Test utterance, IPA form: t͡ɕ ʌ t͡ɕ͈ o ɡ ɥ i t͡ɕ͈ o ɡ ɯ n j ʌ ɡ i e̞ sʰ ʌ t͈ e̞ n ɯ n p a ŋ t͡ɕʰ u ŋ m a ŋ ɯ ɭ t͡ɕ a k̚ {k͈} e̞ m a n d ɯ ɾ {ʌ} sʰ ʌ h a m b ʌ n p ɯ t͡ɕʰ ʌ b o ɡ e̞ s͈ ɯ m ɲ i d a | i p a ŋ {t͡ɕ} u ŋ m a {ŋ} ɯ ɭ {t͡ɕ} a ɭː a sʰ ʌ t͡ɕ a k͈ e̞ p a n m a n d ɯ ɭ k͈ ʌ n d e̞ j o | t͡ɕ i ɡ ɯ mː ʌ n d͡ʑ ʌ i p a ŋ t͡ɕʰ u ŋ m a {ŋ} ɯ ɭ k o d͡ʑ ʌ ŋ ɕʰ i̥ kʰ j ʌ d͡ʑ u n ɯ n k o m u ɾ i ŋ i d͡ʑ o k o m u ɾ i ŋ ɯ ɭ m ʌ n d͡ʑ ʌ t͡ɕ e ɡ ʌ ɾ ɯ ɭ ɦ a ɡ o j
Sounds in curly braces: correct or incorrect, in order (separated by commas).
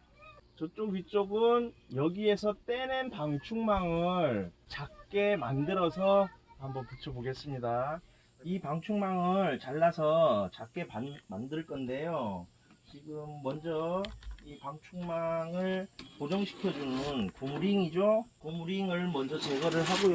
correct, correct, incorrect, correct, correct, correct